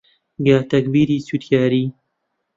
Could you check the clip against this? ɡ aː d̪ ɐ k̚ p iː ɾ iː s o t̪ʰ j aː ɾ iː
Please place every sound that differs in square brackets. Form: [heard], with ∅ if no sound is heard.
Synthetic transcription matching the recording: ɡ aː [t̪] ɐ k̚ [b] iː ɾ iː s [u] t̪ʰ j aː ɾ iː